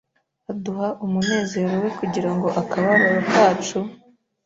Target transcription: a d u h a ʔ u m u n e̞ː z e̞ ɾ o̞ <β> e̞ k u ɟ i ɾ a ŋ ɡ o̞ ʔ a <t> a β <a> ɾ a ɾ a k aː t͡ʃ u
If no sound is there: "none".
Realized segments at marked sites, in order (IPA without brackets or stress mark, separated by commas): w, k, a